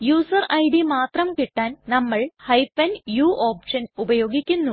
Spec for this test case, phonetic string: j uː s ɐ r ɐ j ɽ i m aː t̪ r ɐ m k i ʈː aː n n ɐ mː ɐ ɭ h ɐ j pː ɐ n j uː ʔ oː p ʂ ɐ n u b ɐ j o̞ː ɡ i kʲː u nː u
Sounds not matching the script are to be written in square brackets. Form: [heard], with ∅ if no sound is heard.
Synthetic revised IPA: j uː s ɐ r ɐ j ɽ i m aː t̪ r ɐ m k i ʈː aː n n ɐ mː ɐ ɭ h ɐ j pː ɐ n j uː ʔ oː p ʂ ɐ n u b ɐ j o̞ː ɡ i kʲː u nː u